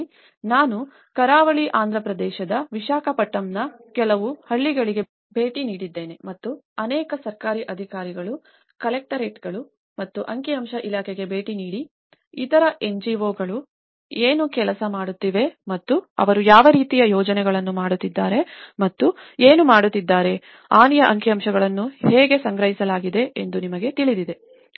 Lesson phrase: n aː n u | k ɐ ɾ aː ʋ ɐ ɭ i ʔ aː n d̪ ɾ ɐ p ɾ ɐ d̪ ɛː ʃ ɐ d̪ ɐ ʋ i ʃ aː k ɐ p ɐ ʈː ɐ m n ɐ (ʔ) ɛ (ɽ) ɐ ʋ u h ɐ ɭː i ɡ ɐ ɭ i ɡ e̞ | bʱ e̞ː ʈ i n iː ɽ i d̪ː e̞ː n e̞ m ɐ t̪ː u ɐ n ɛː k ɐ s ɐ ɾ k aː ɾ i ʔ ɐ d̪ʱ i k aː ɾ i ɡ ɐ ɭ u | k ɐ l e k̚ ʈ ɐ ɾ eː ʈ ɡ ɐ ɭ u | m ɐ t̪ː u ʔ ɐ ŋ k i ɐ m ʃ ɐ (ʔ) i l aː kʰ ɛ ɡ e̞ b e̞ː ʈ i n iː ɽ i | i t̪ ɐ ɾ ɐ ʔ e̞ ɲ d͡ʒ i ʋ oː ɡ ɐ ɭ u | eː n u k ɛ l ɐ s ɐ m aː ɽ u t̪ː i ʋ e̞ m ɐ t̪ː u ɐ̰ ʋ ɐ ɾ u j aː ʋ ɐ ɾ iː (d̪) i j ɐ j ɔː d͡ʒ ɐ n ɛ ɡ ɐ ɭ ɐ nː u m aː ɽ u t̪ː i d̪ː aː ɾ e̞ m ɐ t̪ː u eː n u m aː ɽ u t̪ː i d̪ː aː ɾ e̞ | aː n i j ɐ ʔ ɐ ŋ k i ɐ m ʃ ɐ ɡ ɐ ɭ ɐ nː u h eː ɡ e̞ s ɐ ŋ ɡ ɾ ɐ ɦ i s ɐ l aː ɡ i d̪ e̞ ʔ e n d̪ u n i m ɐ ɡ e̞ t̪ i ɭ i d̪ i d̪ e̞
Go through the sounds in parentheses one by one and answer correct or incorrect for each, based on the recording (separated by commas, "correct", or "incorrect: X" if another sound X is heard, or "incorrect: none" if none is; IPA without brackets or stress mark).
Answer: incorrect: k, incorrect: l, correct, incorrect: t̪